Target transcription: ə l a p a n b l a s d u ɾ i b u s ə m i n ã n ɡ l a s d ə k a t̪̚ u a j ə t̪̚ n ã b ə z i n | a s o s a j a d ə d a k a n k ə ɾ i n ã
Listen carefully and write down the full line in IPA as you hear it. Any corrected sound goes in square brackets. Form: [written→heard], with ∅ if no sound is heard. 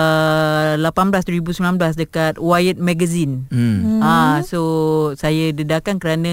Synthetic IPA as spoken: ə l a p a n b l a s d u ɾ i b u s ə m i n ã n [ɡ→b] l a s d ə k a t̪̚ [u→w] a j ə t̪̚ [n→m] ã [b→ɡ] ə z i n | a s o s a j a d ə d a k a n k ə ɾ [i→a] n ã